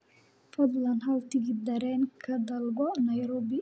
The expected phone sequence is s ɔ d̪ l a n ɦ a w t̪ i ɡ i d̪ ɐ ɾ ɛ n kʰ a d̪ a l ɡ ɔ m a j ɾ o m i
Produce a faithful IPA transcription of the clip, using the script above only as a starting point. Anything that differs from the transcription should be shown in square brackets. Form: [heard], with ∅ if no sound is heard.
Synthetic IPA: [f] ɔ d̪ l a n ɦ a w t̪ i ɡ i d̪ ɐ ɾ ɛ n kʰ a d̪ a l ɡ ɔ [n] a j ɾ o [b] i